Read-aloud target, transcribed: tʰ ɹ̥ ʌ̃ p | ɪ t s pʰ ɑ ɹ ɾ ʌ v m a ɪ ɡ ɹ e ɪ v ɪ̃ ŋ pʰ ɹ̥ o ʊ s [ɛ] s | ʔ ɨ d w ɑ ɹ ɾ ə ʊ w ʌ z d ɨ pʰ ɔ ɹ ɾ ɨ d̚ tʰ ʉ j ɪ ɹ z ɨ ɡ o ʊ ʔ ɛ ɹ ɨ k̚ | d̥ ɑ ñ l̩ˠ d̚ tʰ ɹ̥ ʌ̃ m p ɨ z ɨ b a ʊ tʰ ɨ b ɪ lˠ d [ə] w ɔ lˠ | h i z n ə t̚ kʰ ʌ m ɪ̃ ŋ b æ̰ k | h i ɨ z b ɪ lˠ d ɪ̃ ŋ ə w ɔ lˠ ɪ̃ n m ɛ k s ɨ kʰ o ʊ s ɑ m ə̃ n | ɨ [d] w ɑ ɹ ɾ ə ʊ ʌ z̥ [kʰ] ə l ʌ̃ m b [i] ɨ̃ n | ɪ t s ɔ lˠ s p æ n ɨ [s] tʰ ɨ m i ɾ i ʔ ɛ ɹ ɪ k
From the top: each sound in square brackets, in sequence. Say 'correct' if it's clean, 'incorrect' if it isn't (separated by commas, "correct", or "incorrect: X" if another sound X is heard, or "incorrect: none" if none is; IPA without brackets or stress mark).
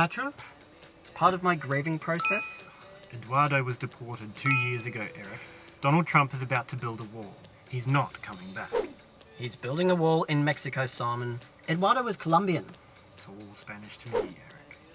correct, correct, correct, correct, correct, incorrect: ʃ